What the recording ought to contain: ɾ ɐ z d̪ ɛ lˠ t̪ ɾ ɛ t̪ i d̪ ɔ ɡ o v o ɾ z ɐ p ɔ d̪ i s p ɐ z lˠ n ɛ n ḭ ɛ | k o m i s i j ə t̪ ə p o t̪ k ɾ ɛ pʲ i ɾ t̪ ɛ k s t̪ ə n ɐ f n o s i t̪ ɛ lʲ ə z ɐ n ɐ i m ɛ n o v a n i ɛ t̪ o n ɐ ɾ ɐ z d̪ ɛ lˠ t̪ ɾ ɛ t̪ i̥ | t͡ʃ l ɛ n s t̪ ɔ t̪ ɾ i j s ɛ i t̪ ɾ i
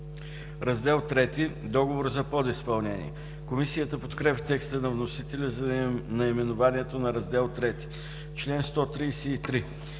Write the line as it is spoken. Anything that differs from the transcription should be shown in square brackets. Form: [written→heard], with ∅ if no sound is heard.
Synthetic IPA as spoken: ɾ ɐ z d̪ ɛ lˠ t̪ ɾ ɛ t̪ i d̪ ɔ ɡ o v o ɾ z ɐ p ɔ d̪ i s p ɐ [z→∅] lˠ n ɛ n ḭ ɛ | k o m i s i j ə t̪ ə p o t̪ k ɾ ɛ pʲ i [ɾ→∅] t̪ ɛ k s t̪ ə n ɐ [f→v] n o s i t̪ ɛ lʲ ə z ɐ n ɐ i m ɛ n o v a n i ɛ t̪ o n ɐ ɾ ɐ z d̪ ɛ lˠ t̪ ɾ ɛ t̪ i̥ | t͡ʃ l ɛ n s t̪ ɔ t̪ ɾ i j s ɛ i t̪ ɾ i